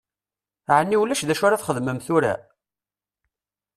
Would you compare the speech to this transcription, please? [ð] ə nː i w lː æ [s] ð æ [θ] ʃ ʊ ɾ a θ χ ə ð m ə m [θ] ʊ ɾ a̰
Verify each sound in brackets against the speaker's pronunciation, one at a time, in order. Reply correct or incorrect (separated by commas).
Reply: incorrect, incorrect, incorrect, correct